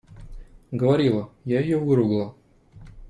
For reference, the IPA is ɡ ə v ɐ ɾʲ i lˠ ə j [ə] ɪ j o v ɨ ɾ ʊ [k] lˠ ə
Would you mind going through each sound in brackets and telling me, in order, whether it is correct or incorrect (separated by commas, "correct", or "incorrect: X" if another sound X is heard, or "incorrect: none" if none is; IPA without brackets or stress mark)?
incorrect: a, incorrect: ɡ